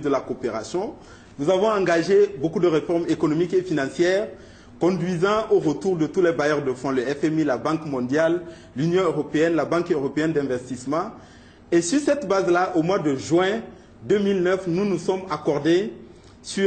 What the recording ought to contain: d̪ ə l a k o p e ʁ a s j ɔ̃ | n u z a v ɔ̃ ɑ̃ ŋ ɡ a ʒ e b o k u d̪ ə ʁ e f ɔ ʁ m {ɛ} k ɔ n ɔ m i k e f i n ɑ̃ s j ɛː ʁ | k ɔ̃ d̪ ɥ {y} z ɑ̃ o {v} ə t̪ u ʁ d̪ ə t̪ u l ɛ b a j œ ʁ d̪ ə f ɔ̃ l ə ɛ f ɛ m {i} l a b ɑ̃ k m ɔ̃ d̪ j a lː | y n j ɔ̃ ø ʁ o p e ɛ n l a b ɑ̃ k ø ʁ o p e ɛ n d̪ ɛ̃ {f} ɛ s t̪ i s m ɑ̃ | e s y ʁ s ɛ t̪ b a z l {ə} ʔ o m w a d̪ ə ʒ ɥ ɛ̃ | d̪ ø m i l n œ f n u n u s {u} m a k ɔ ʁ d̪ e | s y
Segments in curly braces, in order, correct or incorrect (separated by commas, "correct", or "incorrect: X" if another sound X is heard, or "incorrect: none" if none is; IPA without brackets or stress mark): incorrect: e, incorrect: i, incorrect: ʁ, correct, incorrect: v, incorrect: a, incorrect: ɔ